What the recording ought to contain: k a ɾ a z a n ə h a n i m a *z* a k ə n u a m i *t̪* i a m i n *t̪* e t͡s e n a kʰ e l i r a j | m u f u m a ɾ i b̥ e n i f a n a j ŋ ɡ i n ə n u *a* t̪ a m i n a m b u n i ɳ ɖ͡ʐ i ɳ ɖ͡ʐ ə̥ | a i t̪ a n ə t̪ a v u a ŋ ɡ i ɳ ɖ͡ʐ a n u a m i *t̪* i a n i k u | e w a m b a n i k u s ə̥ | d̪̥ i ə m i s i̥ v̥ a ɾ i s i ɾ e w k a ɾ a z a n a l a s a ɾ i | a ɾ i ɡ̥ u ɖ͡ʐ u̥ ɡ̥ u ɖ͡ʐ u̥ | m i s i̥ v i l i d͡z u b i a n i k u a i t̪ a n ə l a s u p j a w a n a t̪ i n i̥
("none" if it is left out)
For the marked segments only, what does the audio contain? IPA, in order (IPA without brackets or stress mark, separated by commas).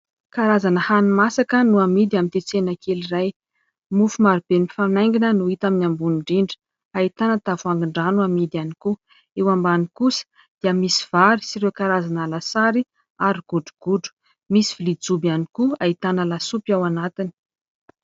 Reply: s, d̪, t̪, i, d̪